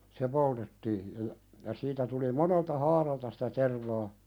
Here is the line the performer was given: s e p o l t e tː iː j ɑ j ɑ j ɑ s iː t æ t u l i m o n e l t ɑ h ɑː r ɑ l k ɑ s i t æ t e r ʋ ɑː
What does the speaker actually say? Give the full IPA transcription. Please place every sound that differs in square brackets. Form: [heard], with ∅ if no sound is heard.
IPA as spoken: s e p o l t e tː iː j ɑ j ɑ j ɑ s iː t æ t u l i m o n e l t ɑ h ɑː r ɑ l [t] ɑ s i t æ t e r ʋ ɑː